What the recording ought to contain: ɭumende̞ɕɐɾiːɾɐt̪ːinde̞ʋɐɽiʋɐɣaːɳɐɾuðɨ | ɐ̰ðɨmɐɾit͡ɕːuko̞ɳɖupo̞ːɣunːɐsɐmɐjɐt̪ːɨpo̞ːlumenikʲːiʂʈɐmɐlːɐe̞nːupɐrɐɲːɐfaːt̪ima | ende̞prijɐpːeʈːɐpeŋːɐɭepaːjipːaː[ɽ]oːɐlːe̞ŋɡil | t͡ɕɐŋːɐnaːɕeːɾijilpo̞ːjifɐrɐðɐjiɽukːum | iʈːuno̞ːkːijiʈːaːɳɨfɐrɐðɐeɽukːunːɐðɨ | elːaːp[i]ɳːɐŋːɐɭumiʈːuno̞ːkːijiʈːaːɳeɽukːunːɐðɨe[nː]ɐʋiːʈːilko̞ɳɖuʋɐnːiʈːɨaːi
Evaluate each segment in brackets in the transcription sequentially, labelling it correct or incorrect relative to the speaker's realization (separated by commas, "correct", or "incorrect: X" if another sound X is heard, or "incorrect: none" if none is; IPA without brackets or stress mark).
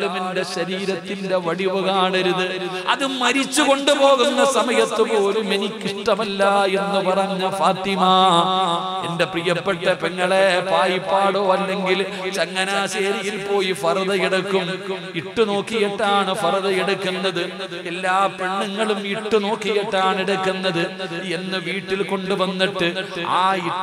correct, incorrect: e, correct